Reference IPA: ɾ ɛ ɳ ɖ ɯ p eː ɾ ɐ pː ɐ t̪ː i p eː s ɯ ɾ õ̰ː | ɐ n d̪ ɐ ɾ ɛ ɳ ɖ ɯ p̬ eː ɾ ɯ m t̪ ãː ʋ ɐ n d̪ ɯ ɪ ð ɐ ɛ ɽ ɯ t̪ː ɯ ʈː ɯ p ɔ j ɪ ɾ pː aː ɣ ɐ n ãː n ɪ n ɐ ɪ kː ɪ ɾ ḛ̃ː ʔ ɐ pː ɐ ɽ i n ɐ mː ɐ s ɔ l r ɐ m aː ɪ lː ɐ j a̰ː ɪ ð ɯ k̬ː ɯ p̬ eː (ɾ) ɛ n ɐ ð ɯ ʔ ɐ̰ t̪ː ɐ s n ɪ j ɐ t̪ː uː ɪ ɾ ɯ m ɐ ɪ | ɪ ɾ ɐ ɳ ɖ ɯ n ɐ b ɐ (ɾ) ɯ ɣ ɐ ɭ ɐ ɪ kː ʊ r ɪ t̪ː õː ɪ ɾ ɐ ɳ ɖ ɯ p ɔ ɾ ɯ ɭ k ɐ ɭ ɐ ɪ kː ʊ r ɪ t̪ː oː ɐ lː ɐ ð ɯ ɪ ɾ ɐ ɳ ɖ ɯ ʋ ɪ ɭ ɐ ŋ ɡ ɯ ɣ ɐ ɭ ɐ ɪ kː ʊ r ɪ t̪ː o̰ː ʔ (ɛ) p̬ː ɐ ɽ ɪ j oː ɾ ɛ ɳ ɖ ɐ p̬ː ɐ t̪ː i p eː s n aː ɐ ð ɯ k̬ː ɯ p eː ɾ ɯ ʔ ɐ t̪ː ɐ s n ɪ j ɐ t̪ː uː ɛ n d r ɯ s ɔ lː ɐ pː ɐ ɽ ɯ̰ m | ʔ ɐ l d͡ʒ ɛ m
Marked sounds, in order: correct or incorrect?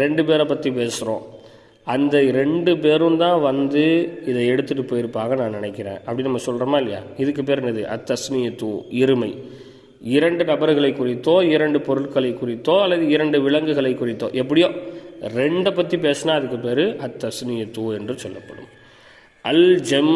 correct, correct, correct

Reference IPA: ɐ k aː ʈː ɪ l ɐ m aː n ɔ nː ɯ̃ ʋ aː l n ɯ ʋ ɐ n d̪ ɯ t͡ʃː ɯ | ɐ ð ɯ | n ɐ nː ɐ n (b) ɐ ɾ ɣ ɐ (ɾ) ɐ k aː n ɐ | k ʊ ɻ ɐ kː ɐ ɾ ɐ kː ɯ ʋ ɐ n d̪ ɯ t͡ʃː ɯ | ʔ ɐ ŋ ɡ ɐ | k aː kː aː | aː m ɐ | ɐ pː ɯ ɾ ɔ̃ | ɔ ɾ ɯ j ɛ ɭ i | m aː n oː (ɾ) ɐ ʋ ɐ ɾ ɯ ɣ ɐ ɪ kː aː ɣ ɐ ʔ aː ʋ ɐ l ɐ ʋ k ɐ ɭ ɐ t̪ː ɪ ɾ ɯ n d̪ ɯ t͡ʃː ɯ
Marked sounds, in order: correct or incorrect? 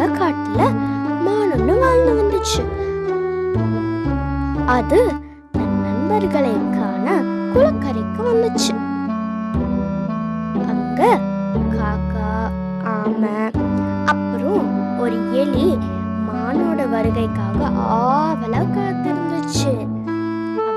correct, incorrect: ɭ, incorrect: ɽ

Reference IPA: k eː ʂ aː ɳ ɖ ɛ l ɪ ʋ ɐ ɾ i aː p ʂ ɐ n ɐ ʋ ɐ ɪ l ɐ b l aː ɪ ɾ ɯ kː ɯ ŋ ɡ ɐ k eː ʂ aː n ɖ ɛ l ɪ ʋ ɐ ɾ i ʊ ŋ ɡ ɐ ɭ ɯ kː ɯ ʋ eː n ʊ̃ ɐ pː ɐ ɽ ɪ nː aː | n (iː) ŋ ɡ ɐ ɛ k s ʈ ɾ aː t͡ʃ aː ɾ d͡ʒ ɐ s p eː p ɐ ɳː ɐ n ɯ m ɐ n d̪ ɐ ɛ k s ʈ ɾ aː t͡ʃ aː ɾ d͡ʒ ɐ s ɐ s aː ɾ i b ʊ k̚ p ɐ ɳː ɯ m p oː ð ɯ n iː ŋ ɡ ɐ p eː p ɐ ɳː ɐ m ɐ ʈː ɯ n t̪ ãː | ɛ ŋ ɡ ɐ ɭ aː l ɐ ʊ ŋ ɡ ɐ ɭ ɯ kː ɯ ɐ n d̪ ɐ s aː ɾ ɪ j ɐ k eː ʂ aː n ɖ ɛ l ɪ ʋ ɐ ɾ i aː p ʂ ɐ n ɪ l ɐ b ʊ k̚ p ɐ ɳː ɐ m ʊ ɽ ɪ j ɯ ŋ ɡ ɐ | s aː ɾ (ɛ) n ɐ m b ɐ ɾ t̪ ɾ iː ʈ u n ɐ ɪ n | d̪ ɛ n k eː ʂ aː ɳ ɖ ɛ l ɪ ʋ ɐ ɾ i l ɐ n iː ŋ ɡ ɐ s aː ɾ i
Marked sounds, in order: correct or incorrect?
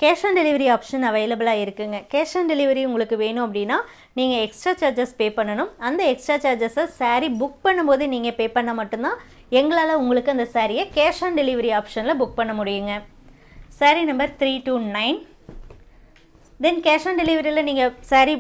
correct, incorrect: i

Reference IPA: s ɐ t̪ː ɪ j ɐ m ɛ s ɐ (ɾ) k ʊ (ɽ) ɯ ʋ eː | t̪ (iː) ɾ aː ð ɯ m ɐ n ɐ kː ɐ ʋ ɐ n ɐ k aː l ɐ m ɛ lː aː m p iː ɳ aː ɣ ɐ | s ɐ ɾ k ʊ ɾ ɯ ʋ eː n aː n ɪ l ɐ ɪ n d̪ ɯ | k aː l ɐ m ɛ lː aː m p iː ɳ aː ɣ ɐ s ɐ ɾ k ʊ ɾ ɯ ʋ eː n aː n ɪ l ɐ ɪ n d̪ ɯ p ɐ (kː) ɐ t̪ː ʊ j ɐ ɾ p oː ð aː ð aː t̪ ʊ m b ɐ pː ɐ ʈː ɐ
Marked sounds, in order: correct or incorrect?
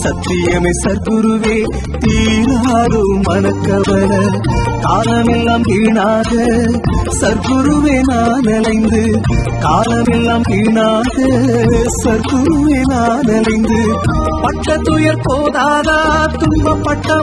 correct, incorrect: ɾ, correct, incorrect: ʈː

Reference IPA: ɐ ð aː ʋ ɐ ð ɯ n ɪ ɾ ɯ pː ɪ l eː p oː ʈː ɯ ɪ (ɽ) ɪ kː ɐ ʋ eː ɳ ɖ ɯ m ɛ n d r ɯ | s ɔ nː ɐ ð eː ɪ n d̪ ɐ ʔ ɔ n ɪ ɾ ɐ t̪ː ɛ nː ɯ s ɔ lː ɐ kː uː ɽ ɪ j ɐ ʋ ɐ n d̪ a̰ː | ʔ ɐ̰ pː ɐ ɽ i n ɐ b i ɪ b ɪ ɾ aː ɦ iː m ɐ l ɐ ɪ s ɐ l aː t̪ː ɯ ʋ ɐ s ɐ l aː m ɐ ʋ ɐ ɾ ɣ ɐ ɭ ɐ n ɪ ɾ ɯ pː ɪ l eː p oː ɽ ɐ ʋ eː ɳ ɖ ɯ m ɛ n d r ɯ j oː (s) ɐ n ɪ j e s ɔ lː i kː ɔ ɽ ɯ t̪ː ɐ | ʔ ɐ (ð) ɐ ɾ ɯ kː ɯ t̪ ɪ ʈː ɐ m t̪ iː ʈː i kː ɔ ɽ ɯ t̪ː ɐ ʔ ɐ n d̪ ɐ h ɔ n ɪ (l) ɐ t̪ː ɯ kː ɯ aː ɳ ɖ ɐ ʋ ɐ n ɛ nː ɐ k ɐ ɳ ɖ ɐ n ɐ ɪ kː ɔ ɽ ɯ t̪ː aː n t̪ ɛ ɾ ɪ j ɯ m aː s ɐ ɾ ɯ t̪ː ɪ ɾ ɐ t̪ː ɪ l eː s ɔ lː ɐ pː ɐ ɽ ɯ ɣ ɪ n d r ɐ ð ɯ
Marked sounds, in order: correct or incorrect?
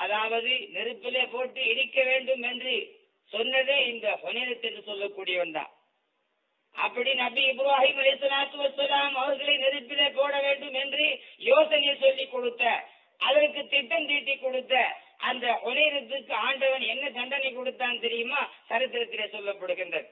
correct, correct, correct, incorrect: ɾ

